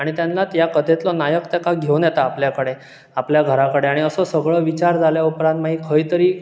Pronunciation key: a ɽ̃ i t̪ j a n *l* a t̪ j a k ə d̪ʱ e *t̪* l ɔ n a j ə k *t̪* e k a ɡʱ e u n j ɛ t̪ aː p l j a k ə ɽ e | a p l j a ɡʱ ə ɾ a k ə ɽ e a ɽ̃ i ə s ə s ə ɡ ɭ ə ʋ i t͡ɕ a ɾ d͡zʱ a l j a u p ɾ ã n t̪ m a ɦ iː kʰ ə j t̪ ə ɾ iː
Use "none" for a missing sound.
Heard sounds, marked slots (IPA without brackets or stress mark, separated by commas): l, t̪, t̪